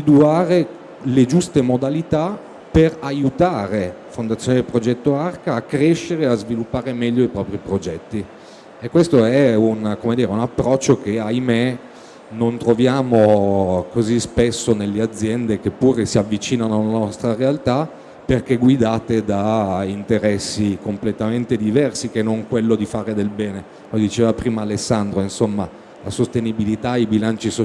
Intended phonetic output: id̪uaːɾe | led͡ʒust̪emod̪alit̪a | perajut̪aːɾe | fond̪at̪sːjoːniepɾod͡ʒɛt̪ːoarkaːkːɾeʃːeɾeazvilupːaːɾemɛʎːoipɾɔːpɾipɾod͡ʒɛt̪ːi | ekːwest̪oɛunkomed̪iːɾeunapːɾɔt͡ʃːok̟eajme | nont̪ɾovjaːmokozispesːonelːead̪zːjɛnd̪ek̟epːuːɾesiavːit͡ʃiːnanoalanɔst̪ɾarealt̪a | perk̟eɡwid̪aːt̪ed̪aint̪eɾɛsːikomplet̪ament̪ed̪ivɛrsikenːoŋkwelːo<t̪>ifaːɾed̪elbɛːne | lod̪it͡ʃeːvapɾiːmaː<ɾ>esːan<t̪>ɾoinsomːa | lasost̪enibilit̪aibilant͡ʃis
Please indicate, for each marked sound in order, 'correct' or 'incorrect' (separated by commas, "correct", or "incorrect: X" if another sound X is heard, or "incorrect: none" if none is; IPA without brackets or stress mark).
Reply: incorrect: d̪, incorrect: l, incorrect: d̪